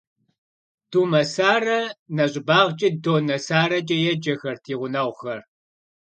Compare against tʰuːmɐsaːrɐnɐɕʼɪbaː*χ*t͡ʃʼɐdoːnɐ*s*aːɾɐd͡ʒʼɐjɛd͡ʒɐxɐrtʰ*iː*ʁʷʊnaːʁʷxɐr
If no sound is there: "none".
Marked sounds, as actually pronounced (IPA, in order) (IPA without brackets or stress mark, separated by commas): ʁ, s, iː